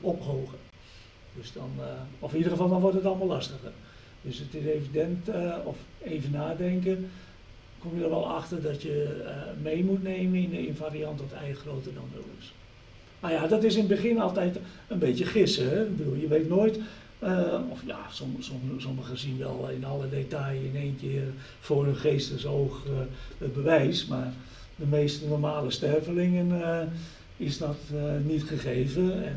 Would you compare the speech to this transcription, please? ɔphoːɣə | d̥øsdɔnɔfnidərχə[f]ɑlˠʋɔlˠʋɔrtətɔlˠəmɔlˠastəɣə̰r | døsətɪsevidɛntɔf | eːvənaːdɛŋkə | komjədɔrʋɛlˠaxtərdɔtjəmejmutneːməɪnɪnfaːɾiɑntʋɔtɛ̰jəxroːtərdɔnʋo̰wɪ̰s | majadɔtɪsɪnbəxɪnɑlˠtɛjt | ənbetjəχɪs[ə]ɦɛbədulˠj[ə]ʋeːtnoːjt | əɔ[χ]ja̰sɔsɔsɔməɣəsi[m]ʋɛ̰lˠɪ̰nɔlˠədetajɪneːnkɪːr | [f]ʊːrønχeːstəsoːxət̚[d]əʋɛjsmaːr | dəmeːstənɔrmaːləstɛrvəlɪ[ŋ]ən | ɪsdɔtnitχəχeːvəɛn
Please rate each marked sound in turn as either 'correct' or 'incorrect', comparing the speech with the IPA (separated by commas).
correct, correct, correct, incorrect, incorrect, correct, incorrect, correct